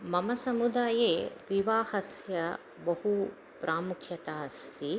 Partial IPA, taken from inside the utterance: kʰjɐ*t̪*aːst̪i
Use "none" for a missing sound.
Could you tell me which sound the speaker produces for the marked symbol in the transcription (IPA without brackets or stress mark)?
t̪